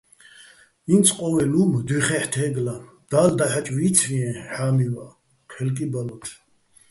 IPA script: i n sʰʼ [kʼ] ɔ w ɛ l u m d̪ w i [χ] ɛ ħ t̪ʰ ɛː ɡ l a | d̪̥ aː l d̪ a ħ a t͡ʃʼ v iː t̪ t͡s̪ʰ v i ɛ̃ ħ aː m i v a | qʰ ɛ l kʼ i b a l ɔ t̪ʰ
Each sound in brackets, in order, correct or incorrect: incorrect: qʼ, correct

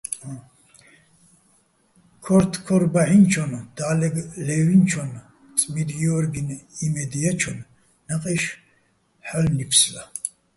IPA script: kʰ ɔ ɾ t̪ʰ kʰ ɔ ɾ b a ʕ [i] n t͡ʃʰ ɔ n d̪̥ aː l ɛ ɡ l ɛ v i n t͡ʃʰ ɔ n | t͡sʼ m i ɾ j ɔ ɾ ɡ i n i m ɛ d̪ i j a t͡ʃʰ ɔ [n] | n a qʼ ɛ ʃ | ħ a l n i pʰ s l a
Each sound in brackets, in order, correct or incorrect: correct, correct

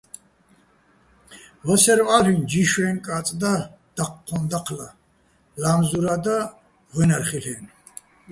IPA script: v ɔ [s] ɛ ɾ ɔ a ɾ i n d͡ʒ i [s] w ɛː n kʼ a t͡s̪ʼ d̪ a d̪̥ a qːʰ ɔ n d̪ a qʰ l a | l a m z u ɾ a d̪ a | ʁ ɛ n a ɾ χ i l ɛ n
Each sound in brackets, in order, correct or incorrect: correct, incorrect: ʃ

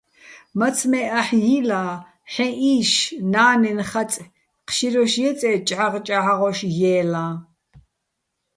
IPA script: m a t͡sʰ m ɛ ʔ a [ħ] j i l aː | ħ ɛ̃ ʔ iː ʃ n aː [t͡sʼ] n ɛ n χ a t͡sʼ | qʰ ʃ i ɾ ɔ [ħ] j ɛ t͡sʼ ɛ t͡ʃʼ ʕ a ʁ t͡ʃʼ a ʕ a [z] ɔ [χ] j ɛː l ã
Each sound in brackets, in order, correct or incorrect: correct, incorrect: none, incorrect: ʃ, incorrect: ʁ, incorrect: ʃ

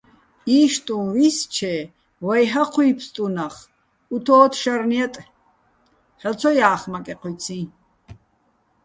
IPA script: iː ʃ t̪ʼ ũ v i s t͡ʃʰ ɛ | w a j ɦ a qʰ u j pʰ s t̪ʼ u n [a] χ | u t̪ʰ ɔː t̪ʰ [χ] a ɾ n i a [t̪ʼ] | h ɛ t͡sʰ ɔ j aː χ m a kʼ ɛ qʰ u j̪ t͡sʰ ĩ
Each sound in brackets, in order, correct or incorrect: correct, incorrect: ʃ, correct

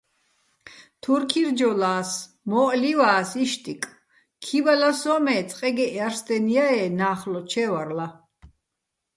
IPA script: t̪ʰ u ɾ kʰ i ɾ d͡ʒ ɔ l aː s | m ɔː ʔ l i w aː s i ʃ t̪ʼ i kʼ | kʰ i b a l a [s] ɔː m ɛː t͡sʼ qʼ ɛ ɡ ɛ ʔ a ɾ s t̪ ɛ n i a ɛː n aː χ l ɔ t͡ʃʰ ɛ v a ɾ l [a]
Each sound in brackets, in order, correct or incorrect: correct, correct

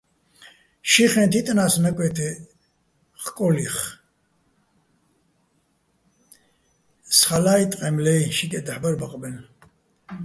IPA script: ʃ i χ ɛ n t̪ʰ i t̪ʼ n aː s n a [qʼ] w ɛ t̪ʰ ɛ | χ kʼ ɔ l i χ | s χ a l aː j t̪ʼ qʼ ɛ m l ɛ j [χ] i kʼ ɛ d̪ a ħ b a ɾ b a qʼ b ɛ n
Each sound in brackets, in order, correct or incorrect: incorrect: kʼ, incorrect: ʃ

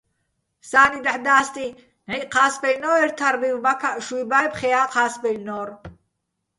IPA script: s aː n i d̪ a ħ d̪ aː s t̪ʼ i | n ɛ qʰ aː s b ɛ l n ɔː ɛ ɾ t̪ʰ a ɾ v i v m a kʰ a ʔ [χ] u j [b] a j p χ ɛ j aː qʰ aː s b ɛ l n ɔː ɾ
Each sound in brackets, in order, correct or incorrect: incorrect: ʃ, correct

